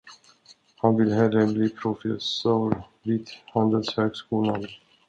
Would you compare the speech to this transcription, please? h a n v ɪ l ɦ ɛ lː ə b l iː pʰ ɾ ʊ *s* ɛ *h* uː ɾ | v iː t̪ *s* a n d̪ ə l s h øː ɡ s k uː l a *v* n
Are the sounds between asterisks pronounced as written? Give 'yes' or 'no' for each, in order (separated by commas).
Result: no, no, no, no